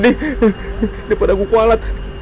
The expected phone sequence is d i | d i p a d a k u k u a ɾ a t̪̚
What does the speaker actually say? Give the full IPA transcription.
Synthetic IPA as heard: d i | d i p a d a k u k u a l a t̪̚